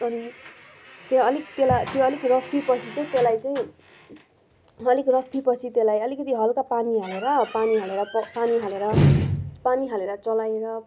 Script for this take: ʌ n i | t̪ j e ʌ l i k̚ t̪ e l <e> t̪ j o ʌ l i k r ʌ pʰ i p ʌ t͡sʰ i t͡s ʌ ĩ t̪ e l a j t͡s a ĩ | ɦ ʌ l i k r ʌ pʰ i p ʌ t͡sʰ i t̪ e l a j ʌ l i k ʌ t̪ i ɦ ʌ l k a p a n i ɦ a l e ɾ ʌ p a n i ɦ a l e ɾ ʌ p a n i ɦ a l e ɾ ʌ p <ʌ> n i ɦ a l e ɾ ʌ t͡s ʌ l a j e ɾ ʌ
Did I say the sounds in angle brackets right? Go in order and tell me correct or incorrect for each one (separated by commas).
incorrect, incorrect